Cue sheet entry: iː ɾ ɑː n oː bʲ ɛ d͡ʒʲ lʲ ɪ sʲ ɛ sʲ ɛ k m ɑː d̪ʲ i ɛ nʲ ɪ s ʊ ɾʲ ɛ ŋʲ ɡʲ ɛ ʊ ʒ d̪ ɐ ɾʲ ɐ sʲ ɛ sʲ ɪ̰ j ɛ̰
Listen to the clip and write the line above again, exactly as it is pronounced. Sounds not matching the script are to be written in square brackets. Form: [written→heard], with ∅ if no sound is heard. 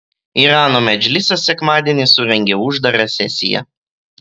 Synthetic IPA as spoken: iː ɾ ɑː n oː [bʲ→mʲ] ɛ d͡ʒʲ lʲ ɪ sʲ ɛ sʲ ɛ k m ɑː d̪ʲ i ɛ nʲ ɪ s ʊ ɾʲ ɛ ŋʲ ɡʲ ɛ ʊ ʒ d̪ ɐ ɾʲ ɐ sʲ ɛ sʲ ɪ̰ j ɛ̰